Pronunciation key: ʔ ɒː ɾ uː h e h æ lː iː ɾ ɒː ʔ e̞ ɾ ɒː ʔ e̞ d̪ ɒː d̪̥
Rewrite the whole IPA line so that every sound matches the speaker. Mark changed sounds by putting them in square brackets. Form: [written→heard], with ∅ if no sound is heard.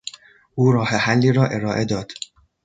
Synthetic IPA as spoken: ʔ [ɒː→uː] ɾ [uː→ɒː] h e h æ lː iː ɾ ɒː ʔ e̞ ɾ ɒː ʔ e̞ d̪ ɒː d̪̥